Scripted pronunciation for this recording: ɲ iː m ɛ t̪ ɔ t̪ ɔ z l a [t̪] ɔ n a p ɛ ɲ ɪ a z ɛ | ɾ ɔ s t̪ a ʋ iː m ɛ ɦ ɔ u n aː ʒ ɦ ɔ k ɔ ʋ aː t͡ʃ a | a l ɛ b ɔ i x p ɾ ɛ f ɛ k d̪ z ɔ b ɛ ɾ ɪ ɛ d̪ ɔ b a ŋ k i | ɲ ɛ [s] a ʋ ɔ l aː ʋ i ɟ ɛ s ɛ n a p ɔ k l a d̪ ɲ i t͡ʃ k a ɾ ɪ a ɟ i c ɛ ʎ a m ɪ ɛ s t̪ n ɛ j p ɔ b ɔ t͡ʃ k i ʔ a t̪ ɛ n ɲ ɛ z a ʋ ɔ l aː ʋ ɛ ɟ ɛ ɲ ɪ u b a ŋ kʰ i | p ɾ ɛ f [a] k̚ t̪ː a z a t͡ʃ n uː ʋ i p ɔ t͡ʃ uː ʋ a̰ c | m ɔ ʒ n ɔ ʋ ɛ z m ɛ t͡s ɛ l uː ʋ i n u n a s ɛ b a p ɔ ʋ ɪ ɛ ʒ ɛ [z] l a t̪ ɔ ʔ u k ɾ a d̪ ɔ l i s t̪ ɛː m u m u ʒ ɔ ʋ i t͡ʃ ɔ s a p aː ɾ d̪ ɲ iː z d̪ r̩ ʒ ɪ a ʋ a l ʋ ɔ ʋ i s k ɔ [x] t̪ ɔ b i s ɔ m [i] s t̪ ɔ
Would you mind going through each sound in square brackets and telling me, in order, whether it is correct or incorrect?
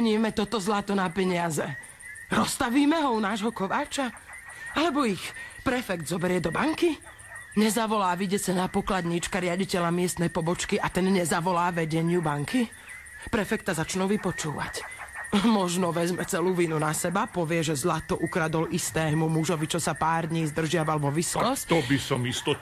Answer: correct, incorrect: z, incorrect: ɛ, correct, incorrect: s, correct

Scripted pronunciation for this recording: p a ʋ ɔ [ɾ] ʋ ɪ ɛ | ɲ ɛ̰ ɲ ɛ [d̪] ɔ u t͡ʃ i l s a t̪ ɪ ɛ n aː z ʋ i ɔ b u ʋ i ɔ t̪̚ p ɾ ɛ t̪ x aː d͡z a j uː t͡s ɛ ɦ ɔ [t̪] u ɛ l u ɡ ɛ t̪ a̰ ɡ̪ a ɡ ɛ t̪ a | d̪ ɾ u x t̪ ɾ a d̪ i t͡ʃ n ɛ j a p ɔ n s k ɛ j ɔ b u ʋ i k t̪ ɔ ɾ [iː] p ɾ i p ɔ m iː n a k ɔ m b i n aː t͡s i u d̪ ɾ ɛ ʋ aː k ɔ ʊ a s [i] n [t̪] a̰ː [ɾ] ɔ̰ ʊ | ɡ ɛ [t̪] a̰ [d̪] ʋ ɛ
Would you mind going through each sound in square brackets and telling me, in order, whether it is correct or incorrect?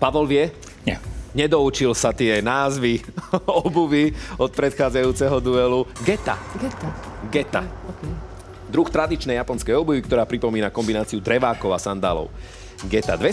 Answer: incorrect: l, correct, incorrect: d̪, incorrect: aː, incorrect: a, incorrect: d̪, incorrect: l, correct, correct

